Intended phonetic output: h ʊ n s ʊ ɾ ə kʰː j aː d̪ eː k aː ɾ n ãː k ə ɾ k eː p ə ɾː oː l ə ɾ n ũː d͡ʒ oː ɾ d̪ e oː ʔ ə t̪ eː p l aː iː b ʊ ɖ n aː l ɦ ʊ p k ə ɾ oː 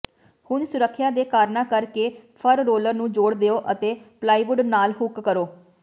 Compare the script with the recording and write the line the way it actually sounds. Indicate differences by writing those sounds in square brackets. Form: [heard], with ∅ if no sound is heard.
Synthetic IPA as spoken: h ʊ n s ʊ ɾ ə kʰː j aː d̪ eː k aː ɾ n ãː k ə ɾ k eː [pʰ] ə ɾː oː l ə ɾ n ũː d͡ʒ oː [ɽ] d̪ e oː ʔ ə t̪ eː p l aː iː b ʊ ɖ n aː l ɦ ʊ [k] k ə ɾ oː